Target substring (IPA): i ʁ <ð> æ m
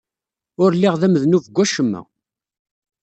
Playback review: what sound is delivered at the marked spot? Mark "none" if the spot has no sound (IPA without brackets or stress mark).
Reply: ð